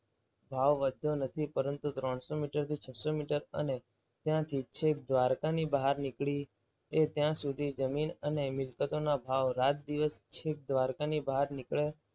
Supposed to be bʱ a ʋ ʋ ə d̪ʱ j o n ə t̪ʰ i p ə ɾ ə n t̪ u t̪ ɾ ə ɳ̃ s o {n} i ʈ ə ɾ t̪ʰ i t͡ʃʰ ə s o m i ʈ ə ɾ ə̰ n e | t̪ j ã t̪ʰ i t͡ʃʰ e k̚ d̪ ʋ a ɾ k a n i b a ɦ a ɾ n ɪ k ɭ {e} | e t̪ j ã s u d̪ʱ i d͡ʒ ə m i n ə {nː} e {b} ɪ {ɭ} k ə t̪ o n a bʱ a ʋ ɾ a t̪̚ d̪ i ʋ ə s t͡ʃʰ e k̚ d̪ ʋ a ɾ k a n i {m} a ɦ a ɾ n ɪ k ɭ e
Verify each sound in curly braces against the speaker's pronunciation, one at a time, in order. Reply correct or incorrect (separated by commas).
incorrect, incorrect, incorrect, incorrect, incorrect, incorrect